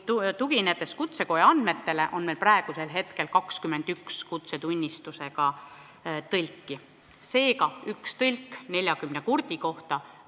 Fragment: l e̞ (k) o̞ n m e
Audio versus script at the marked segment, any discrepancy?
yes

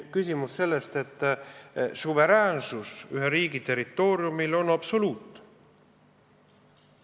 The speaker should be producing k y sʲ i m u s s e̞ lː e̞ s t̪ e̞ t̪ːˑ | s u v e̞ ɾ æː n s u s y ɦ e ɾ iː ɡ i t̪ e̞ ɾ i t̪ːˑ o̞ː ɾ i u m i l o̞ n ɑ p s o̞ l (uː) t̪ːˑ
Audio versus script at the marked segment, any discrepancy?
no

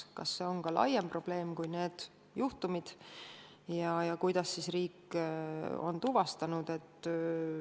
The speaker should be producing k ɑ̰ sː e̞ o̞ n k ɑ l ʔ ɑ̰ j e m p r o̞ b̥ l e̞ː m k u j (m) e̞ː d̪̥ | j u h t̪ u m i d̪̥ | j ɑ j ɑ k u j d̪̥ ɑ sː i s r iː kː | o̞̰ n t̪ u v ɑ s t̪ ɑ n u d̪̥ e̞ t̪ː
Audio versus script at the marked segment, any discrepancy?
yes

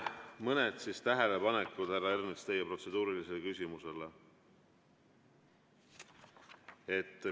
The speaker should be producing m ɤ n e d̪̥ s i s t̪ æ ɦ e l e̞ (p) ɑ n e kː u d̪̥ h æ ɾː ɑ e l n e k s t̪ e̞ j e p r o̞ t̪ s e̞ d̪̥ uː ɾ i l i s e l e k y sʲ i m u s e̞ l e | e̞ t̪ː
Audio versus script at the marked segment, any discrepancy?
no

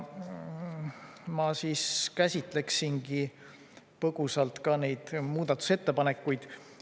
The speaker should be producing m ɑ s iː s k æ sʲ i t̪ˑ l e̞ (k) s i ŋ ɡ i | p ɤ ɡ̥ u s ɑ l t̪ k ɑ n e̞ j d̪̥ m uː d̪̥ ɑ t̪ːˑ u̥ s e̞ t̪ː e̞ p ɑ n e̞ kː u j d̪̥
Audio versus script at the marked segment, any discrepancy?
no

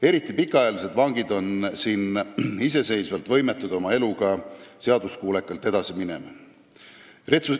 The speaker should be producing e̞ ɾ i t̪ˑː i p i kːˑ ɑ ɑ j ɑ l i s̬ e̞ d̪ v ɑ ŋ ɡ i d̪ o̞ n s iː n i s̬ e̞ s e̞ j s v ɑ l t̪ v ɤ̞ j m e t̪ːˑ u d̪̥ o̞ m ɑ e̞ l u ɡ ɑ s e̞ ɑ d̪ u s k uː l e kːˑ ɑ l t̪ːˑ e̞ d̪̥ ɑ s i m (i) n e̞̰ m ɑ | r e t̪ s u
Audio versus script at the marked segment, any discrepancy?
no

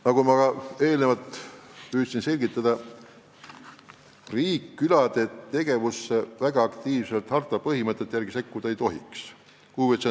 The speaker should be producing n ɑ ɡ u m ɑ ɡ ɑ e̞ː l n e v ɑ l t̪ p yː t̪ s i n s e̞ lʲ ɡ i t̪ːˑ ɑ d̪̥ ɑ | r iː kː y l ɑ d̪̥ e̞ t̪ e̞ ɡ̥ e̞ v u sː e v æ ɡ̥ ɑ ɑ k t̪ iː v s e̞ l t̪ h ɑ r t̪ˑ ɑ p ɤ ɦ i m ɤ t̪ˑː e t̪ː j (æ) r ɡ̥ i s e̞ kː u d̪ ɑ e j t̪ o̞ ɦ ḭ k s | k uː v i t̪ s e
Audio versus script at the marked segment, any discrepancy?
no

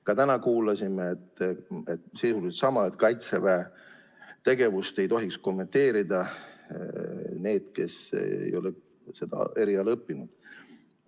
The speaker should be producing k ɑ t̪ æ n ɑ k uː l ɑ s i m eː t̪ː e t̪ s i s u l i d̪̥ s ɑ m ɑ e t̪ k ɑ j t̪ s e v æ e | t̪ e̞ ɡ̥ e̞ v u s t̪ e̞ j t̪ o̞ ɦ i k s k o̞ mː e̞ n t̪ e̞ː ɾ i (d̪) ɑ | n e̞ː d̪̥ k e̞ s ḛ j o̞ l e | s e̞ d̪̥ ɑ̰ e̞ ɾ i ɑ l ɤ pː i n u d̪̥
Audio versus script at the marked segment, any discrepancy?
no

